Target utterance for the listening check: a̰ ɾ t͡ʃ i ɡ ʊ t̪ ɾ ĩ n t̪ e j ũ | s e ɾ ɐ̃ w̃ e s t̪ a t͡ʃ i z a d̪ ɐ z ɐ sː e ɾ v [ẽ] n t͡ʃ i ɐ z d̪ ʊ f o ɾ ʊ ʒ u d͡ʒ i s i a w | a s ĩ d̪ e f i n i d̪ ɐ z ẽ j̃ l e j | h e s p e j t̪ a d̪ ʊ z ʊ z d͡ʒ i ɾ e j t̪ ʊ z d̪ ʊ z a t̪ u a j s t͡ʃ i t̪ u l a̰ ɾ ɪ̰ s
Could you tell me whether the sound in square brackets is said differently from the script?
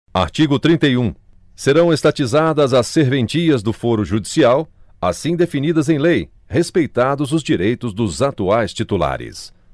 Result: no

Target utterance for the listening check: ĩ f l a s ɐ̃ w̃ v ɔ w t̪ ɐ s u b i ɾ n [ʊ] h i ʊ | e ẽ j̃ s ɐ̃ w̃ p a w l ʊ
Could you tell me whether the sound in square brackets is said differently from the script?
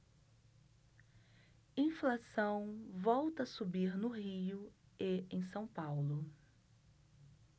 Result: no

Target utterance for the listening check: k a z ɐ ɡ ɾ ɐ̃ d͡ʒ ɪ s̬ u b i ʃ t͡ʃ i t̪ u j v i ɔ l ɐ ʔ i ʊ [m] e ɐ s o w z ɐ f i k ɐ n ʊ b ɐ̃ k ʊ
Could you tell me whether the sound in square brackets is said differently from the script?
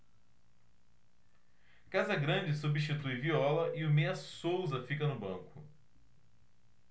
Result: no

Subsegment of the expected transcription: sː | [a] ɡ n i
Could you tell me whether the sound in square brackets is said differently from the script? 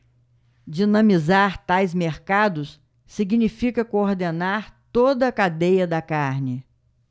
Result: yes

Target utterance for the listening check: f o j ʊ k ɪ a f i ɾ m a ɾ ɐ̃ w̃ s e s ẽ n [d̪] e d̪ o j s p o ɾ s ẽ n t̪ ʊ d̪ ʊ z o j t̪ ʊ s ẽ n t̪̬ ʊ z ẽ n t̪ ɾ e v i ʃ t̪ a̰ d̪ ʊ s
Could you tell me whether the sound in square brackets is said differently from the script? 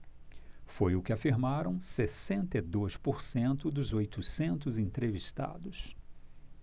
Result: yes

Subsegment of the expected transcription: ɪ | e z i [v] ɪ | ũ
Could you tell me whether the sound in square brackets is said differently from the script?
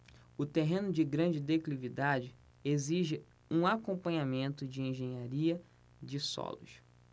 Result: yes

